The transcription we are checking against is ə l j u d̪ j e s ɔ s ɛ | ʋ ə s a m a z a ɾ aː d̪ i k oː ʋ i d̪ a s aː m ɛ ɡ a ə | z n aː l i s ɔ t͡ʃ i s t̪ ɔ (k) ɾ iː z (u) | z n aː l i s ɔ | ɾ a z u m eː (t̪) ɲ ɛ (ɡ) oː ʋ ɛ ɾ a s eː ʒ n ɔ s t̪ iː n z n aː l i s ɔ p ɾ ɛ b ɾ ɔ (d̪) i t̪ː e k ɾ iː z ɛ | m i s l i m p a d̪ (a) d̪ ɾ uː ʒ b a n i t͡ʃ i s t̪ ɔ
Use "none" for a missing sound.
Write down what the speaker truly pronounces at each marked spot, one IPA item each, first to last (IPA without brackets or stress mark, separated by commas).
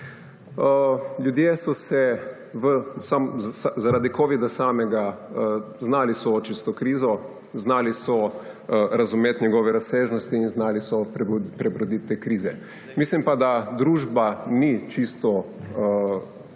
k, ɔ, t̪, ɡ, d̪, a